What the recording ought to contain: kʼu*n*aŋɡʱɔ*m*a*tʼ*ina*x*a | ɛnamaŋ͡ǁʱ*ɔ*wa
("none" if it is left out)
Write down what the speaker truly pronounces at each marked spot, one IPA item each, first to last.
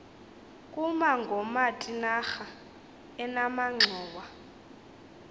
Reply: m, m, tʼ, x, ɔː

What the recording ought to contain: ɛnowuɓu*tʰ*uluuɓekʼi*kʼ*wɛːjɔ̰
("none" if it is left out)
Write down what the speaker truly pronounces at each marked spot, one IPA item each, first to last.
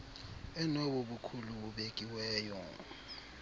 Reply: kʰ, none

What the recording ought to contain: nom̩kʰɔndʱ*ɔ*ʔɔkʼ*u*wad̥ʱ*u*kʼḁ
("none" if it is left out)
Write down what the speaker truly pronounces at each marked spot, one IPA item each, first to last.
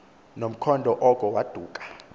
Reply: ɔ, ɔ, uː

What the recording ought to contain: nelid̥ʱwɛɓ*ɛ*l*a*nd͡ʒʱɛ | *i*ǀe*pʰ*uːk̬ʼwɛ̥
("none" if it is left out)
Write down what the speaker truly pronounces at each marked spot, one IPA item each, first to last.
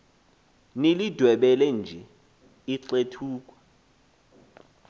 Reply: ɛ, ɛ, i, tʰ

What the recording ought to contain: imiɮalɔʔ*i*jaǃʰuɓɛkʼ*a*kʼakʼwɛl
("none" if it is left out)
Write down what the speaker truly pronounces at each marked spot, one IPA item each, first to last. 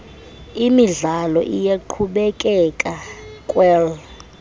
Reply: i, ɛ

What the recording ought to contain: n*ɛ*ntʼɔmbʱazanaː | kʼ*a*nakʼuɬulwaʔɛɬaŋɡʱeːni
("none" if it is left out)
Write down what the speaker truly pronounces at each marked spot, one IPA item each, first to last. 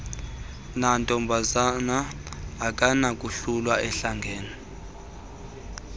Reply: a, a

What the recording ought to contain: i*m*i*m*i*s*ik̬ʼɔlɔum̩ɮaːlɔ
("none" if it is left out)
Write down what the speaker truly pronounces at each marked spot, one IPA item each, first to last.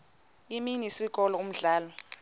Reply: m, n, s

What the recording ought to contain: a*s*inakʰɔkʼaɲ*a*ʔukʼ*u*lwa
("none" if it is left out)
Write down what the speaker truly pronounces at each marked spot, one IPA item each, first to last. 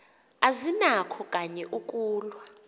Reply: z, ɛ, uː

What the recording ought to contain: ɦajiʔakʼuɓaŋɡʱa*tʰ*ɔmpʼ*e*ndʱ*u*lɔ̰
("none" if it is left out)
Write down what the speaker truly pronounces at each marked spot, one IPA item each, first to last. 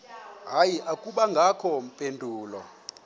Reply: kʰ, e, uː

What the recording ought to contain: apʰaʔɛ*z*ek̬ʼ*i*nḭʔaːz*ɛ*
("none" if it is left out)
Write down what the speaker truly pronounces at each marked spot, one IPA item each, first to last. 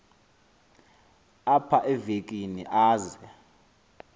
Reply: v, i, ɛ

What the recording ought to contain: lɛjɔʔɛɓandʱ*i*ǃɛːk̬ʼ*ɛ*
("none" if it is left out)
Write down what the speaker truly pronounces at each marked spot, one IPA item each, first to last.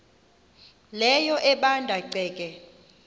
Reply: a, ɛ

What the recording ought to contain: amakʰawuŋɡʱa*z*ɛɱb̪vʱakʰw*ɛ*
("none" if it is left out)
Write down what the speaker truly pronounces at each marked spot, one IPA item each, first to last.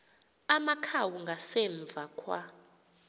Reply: s, a

